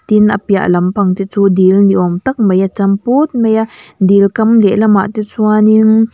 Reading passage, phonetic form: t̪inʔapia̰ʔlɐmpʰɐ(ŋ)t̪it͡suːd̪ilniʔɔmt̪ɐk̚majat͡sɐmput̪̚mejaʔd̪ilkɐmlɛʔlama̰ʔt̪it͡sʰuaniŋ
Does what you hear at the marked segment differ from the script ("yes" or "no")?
no